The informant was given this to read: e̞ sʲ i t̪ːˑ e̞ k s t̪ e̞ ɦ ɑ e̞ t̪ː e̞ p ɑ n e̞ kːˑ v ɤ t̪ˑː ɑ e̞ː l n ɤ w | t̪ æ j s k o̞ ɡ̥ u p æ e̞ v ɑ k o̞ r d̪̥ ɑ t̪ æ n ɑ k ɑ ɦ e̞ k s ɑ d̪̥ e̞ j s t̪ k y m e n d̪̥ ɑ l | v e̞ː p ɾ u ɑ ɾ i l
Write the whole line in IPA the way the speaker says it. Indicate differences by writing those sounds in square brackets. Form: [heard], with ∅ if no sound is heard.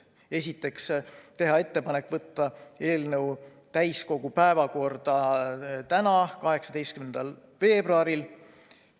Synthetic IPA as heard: e̞ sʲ i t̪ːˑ e̞ k s t̪ e̞ ɦ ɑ e̞ t̪ː e̞ p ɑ n e̞ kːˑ v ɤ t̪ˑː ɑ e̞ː l n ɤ w | t̪ æ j s k o̞ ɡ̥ u p æ e̞ v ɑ k o̞ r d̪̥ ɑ t̪ æ n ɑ k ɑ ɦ e̞ k s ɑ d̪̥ e̞ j s t̪ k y m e n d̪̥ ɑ l | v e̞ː [b] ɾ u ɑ ɾ i l

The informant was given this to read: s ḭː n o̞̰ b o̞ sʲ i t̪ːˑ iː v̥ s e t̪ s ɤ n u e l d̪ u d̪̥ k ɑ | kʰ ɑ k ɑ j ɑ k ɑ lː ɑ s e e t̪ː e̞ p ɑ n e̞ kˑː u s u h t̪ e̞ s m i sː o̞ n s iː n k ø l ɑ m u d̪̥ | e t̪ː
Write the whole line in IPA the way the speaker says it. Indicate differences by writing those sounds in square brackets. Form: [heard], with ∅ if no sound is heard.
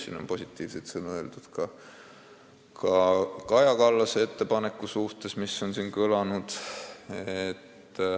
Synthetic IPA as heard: s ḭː n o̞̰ [p] o̞ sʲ i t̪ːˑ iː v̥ s e t̪ s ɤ n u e l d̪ u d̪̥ k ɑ | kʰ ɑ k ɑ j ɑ k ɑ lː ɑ s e e t̪ː e̞ p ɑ n e̞ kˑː u s u h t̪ e̞ s m i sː o̞ n s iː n k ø l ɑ [n] u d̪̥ | e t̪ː

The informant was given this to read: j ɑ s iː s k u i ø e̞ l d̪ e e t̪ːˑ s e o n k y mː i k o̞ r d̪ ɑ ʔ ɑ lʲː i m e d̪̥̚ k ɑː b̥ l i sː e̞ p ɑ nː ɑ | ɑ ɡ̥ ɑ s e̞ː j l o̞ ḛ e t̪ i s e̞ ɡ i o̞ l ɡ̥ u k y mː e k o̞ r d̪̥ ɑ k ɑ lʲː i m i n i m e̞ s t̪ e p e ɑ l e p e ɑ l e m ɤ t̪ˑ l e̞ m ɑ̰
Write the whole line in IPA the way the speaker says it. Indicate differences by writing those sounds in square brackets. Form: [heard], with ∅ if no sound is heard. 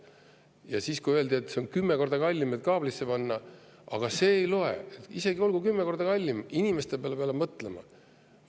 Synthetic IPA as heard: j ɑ s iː s k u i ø e̞ l d̪ [i] e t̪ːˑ s e o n k y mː [e] k o̞ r d̪ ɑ [k] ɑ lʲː i m e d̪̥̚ k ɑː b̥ l i sː e̞ p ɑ nː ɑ | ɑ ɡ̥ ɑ s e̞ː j l o̞ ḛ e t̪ i s e̞ ɡ i o̞ l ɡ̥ u k y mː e k o̞ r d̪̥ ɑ k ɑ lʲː i m i n i m e̞ s t̪ e p e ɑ l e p e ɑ l e m ɤ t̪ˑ l e̞ m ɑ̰

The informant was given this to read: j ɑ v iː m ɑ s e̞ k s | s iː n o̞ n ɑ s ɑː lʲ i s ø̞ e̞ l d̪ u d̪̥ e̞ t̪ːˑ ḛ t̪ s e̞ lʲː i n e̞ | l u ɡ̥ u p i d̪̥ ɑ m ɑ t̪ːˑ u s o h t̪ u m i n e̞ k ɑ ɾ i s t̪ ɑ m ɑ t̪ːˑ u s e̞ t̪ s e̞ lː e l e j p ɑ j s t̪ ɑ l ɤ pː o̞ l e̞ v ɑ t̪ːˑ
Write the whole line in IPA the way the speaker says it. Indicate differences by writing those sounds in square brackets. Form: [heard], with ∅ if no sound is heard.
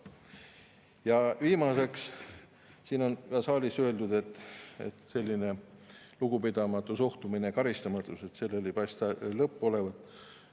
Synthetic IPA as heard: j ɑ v iː m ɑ s e̞ k s | s iː n o̞ n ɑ s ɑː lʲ i s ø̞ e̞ l d̪ u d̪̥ e̞ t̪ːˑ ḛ t̪ s e̞ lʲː i n e̞ | l u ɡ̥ u p i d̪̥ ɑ m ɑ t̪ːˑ u s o h t̪ u m i n e̞ k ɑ ɾ i s t̪ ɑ m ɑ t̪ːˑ u s e̞ t̪ s e̞ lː e l e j p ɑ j s t̪ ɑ l ɤ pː o̞ l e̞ v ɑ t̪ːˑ

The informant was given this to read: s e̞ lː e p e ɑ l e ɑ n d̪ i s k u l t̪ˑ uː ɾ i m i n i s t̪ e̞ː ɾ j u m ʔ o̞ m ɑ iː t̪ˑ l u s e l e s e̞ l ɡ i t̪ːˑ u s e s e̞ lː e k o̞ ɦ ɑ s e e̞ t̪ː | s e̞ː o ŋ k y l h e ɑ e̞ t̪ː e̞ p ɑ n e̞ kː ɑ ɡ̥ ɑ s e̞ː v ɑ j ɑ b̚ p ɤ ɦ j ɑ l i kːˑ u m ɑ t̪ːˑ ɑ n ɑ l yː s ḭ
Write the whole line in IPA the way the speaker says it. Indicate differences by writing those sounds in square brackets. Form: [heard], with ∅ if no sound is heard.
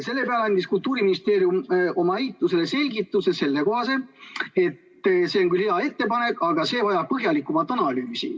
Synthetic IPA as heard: s e̞ lː e p e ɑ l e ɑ n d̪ i s k u l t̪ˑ uː ɾ i m i n i s t̪ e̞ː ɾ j u m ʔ o̞ m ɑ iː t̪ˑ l u s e l e s e̞ l ɡ i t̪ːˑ u s e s e̞ lː e k o̞ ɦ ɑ s e e̞ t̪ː | s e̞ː o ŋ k y l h e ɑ e̞ t̪ː e̞ p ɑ n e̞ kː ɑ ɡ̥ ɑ s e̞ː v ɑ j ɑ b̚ p ɤ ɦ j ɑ l i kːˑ u m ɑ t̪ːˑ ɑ n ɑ l yː s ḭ

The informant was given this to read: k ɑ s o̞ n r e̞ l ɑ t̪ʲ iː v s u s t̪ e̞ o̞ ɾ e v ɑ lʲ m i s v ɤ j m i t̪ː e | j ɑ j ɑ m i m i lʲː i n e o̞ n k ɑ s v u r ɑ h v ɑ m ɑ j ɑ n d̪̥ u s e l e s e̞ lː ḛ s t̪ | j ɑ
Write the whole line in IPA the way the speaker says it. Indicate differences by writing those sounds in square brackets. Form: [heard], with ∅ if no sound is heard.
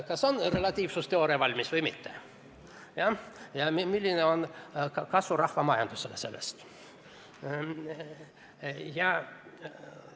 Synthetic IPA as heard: k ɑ s o̞ n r e̞ l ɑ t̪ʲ iː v s u s t̪ e̞ o̞ ɾ e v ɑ lʲ m i s v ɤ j m i t̪ː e | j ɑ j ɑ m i m i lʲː i n e o̞ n k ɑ s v u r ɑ h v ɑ m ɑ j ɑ n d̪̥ u s e l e s e̞ lː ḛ s t̪ | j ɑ

